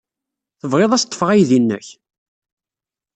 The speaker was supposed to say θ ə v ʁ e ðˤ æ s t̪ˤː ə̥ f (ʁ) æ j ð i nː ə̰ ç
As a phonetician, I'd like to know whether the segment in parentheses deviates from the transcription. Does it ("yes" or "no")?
no